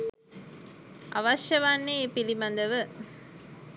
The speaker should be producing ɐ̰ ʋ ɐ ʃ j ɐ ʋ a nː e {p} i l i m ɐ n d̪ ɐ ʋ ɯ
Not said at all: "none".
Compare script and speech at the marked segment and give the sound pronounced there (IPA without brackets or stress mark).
p